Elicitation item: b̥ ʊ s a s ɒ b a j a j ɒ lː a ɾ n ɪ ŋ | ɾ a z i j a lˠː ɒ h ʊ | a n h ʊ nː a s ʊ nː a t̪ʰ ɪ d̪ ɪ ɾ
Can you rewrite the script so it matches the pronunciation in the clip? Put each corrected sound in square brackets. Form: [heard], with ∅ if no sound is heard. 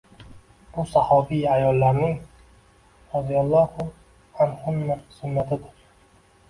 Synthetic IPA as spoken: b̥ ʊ s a [h] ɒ b [i] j a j ɒ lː a ɾ n ɪ ŋ | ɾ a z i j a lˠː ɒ h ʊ | a n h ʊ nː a s ʊ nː a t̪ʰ ɪ d̪ ɪ ɾ